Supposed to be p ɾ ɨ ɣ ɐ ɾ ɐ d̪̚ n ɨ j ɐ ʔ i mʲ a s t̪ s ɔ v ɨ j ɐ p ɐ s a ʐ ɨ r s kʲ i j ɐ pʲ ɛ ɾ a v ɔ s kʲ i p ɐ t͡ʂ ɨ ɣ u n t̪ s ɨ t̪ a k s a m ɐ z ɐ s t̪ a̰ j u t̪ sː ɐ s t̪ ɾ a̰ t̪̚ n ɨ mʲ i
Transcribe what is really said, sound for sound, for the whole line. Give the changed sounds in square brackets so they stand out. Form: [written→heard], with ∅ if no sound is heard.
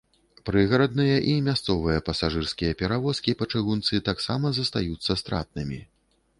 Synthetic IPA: p ɾ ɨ ɣ ɐ ɾ ɐ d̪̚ n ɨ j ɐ ʔ i mʲ a s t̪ s ɔ v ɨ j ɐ p ɐ s a ʐ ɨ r s kʲ i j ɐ pʲ ɛ ɾ a v ɔ s kʲ i p ɐ t͡ʂ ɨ ɣ u n t̪ s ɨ t̪ a k s a m ɐ z ɐ s t̪ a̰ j u t̪ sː ɐ s t̪ ɾ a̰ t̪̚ n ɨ mʲ i